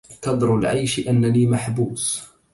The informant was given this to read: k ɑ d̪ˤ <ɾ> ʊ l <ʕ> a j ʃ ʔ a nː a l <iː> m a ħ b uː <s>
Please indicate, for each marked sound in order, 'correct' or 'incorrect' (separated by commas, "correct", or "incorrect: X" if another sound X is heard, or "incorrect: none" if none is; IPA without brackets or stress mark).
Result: correct, correct, correct, correct